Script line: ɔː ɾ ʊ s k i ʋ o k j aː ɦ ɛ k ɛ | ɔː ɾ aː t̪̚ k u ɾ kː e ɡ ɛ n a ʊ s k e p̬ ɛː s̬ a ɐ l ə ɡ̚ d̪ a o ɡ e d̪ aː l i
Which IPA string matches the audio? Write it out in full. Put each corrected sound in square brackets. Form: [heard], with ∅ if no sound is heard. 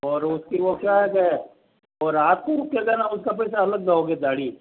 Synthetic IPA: ɔː ɾ ʊ s k i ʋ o k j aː ɦ ɛ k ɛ | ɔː ɾ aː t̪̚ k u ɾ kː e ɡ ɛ n a ʊ s k [a] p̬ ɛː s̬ a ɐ l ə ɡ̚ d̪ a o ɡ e d̪ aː [ɽ] i